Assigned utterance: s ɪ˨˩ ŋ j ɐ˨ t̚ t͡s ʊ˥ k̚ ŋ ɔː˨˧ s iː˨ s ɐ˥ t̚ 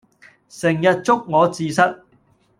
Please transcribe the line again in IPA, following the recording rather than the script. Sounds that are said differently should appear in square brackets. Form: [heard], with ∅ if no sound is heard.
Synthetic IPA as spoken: s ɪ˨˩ ŋ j ɐ˨ t̚ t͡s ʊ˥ k̚ ŋ ɔː˨˧ [t͡s] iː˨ s ɐ˥ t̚